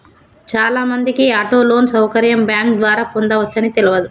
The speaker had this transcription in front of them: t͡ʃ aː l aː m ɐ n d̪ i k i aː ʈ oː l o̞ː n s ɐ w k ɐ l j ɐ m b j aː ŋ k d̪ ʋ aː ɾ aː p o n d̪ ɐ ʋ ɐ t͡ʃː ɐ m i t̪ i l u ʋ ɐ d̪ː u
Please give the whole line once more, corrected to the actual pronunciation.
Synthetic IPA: t͡ʃ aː l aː m ɐ n d̪ i k i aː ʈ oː l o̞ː n s ɐ w k ɐ ɾ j ɐ m b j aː ŋ k d̪ ʋ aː ɾ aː p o n d̪ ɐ ʋ ɐ t͡ʃː ɐ n i t̪ e l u ʋ ɐ d̪ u